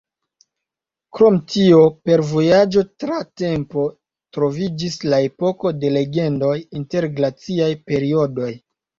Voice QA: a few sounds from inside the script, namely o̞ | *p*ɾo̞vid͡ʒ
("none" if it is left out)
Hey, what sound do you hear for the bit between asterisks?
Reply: t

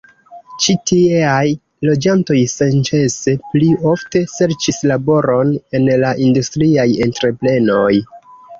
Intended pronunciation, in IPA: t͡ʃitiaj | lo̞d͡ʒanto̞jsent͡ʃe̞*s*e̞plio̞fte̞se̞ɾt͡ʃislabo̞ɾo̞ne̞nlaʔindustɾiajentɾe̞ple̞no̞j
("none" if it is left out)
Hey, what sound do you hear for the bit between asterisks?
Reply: s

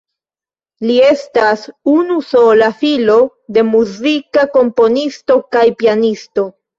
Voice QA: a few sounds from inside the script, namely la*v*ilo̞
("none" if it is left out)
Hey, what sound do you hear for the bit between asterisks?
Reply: f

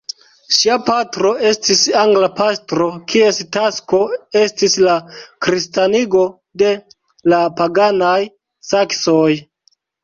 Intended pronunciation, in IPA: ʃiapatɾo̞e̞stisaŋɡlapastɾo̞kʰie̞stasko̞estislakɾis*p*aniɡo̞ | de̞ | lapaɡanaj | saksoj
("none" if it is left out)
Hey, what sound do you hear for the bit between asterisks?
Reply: t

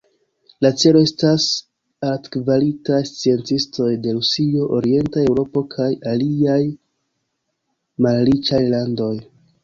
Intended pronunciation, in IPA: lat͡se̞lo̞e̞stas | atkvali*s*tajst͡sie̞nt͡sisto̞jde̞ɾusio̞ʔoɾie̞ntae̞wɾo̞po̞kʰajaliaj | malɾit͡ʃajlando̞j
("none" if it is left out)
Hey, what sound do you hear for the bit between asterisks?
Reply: none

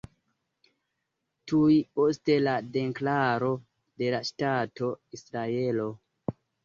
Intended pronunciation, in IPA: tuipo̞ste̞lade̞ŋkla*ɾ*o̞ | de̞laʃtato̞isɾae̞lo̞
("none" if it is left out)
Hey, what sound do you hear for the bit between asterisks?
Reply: ɾ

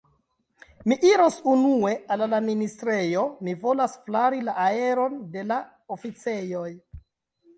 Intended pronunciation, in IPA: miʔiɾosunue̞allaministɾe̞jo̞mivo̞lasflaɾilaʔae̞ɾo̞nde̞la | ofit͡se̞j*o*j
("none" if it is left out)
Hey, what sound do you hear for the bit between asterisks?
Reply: o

